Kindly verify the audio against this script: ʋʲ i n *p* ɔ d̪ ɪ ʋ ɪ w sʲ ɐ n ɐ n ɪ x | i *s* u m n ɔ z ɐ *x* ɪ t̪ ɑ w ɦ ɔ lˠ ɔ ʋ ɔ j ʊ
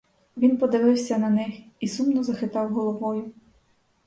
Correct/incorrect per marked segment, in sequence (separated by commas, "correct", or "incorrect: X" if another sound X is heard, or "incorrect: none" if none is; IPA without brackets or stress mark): correct, correct, correct